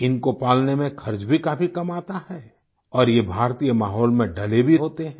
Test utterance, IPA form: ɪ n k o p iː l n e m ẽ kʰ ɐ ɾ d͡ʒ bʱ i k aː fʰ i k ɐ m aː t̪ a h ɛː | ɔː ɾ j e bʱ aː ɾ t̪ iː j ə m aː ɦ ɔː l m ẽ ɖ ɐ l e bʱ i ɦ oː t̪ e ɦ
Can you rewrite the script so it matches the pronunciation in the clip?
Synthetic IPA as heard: ɪ n k o p aː l n e m ẽ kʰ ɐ ɾ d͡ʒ bʱ i k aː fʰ i k ɐ m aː t̪ a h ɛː | ɔː ɾ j e bʱ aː ɾ t̪ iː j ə m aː ɦ ɔː l m ẽ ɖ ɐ l e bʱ i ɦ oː t̪ e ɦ